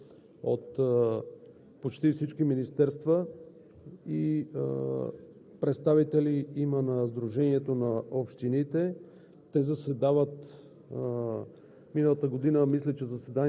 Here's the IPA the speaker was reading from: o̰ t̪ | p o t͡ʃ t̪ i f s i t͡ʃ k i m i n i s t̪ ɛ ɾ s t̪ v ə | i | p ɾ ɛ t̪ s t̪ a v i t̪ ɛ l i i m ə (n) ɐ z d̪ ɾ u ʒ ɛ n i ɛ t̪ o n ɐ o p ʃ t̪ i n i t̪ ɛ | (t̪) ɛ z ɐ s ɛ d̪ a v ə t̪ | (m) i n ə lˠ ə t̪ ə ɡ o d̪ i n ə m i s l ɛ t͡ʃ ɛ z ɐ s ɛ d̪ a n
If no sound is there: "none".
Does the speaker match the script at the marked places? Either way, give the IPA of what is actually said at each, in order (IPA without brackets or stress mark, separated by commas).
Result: n, t̪, m